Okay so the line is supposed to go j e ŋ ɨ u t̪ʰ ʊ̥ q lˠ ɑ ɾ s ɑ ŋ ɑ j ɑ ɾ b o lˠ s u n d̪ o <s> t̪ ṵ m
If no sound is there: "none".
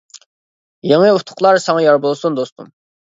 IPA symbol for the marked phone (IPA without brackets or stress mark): s